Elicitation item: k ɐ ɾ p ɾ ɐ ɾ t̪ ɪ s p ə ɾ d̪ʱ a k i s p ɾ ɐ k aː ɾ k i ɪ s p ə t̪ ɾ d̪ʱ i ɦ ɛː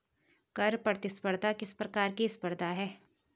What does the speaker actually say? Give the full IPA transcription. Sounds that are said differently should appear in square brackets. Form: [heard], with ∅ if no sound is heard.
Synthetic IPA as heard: k ɐ ɾ p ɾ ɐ ɾ t̪ ɪ s p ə ɾ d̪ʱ a k [ɪ] s p ɾ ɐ k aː ɾ k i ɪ s p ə [∅] ɾ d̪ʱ [a] ɦ ɛː